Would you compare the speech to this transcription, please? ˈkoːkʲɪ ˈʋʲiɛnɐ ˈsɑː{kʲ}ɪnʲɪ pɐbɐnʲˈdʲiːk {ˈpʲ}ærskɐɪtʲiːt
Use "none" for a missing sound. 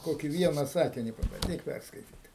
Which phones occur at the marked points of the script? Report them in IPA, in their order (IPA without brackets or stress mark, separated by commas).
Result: kʲ, pʲ